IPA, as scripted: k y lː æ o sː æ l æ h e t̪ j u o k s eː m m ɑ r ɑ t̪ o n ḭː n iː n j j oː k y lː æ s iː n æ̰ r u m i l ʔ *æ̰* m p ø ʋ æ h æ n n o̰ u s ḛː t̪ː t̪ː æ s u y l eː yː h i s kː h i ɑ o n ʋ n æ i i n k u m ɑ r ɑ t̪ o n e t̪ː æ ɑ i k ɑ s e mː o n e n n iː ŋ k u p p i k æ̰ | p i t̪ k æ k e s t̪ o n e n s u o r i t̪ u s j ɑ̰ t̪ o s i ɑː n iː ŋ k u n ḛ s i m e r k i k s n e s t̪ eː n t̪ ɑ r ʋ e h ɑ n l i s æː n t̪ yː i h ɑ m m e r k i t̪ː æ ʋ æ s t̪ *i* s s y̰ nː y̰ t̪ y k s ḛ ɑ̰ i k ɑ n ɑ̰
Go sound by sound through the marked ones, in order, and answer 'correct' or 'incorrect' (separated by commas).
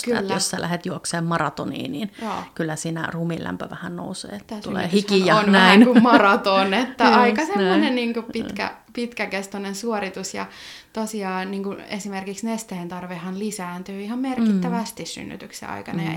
correct, correct